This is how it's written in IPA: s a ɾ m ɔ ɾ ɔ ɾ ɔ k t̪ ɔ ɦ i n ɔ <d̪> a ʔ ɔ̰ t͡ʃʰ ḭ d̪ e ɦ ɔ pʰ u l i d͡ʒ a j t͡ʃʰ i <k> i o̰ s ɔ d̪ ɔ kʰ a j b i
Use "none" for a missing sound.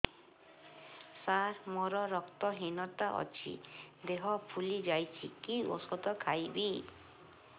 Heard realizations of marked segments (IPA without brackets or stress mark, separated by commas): t̪, k